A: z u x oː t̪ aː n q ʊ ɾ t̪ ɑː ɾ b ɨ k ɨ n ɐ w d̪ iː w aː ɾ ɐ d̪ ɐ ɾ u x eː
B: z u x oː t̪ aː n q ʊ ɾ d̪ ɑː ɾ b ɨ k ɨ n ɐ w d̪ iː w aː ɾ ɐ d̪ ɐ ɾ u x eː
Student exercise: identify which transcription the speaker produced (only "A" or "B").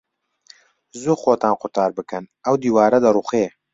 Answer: A